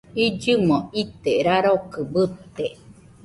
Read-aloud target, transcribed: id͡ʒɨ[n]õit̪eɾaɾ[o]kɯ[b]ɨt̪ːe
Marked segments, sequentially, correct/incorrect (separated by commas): incorrect, correct, correct